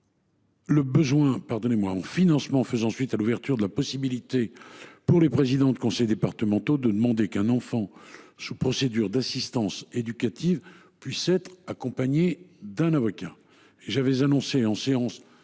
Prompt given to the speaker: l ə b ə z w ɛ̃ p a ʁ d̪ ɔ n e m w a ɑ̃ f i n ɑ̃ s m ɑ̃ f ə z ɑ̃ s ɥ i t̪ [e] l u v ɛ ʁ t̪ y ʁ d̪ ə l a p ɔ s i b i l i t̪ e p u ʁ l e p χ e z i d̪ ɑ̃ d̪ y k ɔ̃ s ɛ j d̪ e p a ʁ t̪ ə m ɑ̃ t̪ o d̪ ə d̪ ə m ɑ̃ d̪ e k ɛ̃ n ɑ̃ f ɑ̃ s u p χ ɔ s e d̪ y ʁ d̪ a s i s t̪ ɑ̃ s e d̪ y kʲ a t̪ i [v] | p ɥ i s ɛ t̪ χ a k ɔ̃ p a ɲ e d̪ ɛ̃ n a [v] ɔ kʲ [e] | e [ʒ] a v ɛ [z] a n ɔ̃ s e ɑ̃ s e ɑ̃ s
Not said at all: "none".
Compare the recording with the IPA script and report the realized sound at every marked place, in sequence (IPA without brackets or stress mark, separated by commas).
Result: a, v, v, a, ʒ, z